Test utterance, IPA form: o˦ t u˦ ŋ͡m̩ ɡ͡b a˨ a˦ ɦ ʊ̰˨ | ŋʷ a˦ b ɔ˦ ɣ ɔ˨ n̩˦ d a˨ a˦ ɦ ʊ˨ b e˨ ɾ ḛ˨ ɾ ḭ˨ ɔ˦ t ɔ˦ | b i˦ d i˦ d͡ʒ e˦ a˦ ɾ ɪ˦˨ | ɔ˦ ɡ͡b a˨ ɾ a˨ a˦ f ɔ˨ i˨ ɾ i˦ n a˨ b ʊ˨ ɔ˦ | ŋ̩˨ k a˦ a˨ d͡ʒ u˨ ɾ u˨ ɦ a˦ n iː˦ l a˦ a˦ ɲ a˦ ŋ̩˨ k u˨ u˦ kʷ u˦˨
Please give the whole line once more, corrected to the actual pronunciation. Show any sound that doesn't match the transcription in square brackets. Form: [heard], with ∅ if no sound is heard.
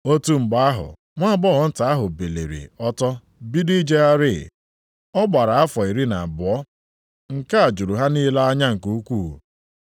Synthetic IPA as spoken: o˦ t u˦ ŋ͡m̩ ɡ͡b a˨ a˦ ɦ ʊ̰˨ | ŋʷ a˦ b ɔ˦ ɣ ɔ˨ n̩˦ [t] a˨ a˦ ɦ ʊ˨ b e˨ [l] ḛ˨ ɾ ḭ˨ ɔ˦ t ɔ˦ | b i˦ d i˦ d͡ʒ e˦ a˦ ɾ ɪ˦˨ | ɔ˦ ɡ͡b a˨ ɾ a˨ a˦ f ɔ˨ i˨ ɾ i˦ n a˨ b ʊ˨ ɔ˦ | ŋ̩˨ k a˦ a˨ d͡ʒ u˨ ɾ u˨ ɦ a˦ n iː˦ l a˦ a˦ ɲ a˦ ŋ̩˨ k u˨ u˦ kʷ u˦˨